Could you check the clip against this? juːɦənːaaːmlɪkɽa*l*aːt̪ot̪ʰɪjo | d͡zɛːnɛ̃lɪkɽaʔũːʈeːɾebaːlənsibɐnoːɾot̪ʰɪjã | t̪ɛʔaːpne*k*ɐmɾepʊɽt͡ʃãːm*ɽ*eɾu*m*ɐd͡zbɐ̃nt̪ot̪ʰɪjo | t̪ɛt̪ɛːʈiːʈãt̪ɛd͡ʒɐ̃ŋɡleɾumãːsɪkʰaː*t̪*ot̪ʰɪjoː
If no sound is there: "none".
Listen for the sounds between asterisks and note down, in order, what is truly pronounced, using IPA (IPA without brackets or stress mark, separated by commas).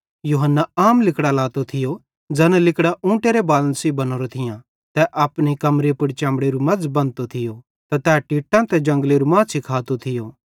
l, k, ɽ, m, t̪